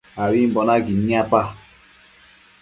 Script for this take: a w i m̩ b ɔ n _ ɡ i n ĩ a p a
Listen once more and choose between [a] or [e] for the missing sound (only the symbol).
a